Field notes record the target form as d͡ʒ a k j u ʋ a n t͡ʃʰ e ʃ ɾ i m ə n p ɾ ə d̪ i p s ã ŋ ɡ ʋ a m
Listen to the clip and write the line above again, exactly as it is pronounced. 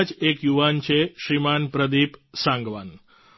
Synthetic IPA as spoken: d͡ʒ e k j u ʋ a n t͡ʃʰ e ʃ ɾ i m a n p ɾ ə d̪ i p s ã ŋ ɡ ʋ a n